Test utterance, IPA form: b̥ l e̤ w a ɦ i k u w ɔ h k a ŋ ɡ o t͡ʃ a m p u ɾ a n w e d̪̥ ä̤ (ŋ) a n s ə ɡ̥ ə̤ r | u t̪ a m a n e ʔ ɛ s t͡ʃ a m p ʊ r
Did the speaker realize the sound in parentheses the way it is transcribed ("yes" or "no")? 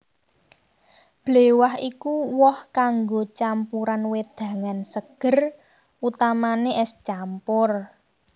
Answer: yes